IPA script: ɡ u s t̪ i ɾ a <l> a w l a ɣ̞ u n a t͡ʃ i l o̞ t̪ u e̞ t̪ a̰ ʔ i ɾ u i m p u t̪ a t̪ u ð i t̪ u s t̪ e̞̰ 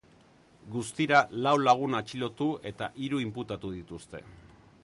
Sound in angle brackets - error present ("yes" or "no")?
no